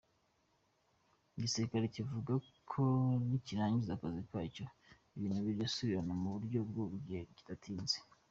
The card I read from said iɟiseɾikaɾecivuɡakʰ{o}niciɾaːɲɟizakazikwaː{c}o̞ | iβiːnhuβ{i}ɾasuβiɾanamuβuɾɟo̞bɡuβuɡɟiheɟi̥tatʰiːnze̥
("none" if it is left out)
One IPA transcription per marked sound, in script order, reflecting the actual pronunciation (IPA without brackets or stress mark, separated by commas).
o, c, i